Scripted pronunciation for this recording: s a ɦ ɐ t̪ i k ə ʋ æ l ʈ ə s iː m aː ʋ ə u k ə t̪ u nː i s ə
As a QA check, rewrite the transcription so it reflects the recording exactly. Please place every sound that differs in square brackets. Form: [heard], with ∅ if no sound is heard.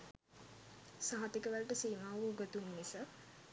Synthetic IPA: s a ɦ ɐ t̪ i k ə ʋ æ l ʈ ə s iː m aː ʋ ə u [ɡ] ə t̪ u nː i s ə